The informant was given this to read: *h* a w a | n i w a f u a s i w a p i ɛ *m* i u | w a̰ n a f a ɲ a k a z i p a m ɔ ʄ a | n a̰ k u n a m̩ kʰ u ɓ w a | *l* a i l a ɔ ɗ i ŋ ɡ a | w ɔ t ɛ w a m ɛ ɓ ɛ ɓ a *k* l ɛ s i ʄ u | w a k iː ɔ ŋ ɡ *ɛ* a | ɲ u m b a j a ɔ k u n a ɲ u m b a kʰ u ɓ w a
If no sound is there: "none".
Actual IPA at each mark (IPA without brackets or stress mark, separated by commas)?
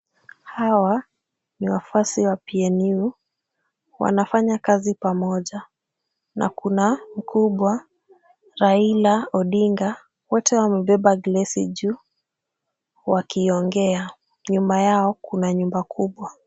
h, n, ɾ, ɡ, ɛ